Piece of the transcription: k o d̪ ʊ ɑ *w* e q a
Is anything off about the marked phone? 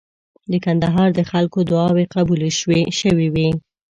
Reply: no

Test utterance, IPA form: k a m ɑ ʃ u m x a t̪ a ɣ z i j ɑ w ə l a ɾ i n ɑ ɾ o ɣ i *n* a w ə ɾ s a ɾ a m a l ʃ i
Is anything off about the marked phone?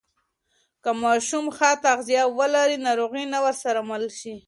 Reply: no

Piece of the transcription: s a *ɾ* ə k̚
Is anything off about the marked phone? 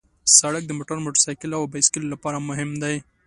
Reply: yes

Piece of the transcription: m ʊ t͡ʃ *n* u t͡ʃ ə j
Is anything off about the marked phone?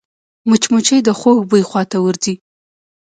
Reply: yes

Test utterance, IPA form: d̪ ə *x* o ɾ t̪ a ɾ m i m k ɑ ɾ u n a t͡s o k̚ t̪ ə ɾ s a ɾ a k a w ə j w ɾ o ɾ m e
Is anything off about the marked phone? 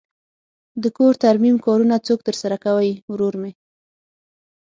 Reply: yes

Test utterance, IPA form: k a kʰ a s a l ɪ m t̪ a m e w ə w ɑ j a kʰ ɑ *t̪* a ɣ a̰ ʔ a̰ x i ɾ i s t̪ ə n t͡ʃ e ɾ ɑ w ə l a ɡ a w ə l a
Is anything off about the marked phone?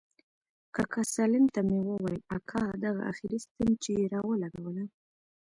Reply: yes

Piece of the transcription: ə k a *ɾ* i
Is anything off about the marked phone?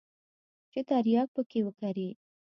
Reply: no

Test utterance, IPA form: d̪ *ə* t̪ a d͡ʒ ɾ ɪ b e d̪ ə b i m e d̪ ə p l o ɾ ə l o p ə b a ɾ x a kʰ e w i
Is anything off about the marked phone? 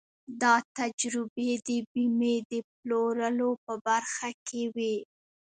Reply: yes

